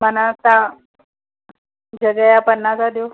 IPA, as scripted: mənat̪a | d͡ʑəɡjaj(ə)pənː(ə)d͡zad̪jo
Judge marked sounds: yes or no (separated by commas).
no, no